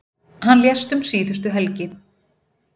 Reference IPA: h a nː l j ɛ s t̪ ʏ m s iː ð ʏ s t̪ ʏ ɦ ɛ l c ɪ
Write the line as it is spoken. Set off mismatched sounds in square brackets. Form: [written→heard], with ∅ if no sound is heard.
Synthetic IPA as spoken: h a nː l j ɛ s t̪ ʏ m s iː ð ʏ s t̪ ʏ ɦ ɛ l c ɪ